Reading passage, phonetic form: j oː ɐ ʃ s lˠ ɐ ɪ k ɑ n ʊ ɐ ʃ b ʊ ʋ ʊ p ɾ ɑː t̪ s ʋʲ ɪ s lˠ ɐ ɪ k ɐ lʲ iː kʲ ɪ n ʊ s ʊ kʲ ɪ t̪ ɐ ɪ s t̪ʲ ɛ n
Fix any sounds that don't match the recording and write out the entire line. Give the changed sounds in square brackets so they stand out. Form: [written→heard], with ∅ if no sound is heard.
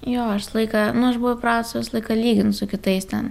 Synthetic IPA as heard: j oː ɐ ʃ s lˠ ɐ ɪ k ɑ n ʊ ɐ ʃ b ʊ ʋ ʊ p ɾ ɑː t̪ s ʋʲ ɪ s lˠ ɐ ɪ k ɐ lʲ iː [kʲ→ɡʲ] ɪ n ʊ s ʊ kʲ ɪ t̪ ɐ ɪ s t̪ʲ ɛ n